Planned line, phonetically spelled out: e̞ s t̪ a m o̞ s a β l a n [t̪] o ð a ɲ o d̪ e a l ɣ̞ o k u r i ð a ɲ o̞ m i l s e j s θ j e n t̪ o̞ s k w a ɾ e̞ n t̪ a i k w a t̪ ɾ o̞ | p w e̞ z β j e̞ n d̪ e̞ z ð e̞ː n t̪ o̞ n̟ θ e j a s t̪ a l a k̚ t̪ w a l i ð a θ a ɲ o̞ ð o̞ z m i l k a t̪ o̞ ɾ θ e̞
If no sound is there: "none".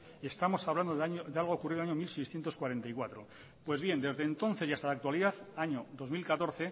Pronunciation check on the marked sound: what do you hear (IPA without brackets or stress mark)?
d̪